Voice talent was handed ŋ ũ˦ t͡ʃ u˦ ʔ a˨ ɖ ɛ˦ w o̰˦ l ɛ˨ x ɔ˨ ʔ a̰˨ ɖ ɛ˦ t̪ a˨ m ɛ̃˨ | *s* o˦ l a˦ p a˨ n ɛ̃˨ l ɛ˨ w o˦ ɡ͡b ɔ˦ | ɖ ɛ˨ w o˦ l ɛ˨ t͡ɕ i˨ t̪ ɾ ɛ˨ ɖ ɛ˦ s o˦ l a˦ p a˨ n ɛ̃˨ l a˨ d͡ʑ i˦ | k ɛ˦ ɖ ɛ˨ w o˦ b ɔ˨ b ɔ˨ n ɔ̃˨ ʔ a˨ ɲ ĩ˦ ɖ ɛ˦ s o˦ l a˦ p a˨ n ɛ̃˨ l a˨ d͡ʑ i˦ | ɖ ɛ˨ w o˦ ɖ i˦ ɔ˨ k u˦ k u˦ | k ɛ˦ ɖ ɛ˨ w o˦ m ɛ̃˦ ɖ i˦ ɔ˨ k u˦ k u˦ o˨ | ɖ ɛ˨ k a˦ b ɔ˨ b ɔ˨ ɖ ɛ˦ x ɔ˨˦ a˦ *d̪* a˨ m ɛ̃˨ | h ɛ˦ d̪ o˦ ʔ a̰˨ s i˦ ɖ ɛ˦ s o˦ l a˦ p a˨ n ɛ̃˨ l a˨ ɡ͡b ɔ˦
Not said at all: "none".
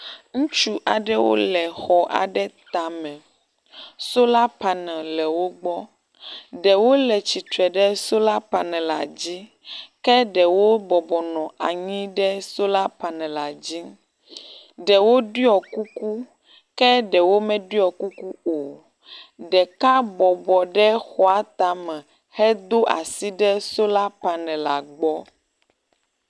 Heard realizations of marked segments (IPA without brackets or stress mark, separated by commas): s, t̪